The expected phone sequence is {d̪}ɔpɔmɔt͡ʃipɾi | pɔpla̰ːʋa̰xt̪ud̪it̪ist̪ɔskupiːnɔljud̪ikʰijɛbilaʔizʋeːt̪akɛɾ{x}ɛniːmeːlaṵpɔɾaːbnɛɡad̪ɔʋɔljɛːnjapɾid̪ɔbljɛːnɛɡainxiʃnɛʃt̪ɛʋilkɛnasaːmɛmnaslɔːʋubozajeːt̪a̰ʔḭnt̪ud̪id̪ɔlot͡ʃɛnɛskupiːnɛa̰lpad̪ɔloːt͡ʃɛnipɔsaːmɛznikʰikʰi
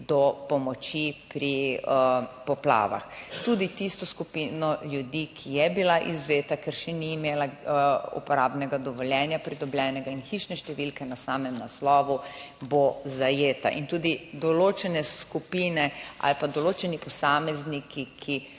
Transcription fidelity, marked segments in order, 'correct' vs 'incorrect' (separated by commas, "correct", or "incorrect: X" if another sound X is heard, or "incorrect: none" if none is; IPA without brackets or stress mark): correct, incorrect: ʃ